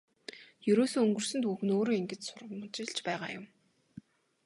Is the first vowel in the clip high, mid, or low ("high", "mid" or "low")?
mid